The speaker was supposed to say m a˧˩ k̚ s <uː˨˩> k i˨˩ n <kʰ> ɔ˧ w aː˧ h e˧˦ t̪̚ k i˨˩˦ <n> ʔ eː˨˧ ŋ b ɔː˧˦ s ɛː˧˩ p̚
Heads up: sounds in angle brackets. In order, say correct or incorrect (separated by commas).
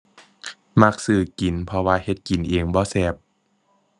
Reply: incorrect, incorrect, correct